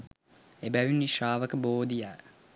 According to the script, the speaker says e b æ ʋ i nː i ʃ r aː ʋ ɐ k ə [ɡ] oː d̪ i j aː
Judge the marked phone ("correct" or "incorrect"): incorrect